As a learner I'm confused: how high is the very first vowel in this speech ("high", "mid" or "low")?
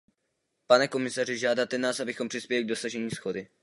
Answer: low